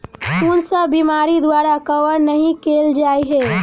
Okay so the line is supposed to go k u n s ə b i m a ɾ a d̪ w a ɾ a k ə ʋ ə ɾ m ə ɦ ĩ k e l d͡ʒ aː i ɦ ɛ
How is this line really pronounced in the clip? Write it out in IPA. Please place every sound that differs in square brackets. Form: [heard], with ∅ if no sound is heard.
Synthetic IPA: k u n s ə b i m a ɾ [i] d̪ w a ɾ a k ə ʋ ə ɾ [n] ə ɦ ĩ k e l d͡ʒ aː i ɦ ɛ